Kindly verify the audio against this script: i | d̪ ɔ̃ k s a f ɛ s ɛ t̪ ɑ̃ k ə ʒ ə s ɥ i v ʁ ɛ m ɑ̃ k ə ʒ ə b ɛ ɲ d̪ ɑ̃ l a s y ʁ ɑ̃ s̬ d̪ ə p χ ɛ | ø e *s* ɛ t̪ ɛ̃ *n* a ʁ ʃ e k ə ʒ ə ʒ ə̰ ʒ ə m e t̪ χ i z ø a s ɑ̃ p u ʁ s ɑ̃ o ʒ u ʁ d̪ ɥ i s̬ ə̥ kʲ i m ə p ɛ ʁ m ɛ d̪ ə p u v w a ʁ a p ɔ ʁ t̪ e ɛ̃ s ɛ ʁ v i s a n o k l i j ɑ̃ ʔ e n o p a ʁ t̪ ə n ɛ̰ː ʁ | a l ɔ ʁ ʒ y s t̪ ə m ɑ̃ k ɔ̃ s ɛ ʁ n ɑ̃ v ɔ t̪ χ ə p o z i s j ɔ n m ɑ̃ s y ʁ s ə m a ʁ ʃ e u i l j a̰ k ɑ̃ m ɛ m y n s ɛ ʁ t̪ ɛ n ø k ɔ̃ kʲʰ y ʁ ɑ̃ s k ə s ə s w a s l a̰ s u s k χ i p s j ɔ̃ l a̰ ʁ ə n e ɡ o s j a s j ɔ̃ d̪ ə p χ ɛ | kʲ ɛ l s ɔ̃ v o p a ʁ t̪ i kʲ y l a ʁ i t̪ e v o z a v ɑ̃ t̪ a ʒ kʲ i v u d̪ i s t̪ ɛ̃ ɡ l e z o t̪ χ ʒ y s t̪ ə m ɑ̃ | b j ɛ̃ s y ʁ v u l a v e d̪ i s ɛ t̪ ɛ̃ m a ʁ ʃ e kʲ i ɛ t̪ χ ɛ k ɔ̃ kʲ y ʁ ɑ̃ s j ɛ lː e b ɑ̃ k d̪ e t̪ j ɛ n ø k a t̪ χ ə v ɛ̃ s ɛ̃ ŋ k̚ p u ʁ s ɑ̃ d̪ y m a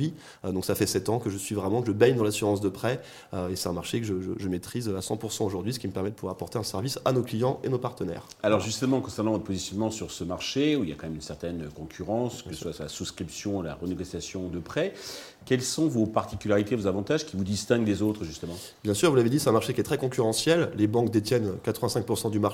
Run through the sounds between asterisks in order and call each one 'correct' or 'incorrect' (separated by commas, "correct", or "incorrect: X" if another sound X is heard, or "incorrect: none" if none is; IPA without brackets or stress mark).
correct, incorrect: m